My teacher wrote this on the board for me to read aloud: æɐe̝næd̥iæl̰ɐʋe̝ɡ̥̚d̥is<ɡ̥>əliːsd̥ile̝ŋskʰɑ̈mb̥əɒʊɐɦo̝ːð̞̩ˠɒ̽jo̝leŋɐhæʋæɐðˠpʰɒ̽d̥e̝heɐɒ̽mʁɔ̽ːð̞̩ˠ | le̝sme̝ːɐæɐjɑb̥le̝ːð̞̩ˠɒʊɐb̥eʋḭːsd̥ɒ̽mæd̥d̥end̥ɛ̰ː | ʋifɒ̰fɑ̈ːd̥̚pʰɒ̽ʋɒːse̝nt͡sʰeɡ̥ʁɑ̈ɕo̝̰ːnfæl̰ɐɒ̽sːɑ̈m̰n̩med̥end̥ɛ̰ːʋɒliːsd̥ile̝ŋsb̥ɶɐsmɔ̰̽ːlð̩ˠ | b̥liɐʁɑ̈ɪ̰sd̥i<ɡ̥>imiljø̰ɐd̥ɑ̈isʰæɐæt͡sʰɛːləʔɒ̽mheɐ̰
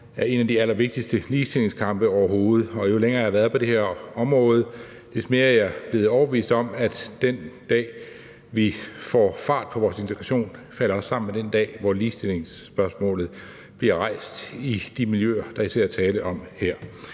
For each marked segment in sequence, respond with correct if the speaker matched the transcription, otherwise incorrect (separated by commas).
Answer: incorrect, incorrect